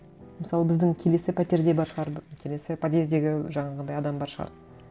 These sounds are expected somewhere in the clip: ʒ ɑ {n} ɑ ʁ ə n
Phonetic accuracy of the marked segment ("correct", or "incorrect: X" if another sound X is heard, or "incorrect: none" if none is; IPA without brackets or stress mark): incorrect: ɴ